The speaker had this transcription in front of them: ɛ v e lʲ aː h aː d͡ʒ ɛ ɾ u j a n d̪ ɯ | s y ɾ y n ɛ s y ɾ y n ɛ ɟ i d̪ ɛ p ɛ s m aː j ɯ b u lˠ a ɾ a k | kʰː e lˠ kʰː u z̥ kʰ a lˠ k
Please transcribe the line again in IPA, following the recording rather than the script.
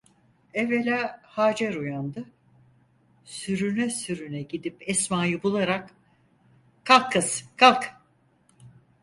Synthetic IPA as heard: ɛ v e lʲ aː h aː d͡ʒ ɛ ɾ u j a n d̪ ɯ | s y ɾ y n ɛ s y ɾ y n ɛ ɟ i d̪ i p ɛ s m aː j ɯ b u lˠ a ɾ a k | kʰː a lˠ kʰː ɯ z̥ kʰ a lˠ k